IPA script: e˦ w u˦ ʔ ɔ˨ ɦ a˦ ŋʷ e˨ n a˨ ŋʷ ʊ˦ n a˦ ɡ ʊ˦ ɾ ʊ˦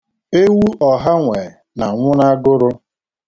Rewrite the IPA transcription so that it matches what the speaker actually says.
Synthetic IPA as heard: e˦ w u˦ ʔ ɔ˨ ɦ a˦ ŋʷ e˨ n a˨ ŋʷ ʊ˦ n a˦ ɡ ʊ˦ ɾ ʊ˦